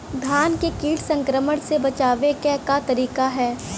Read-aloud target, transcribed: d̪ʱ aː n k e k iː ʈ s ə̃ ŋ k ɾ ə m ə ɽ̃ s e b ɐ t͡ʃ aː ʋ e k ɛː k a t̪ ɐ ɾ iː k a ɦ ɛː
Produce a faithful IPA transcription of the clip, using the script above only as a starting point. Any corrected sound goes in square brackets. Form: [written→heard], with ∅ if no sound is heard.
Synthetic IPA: d̪ʱ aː n k e k iː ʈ s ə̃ ŋ k ɾ ə m ə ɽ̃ s e b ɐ t͡ʃ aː ʋ e k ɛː k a t̪ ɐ ɾ iː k a ɦ ɛː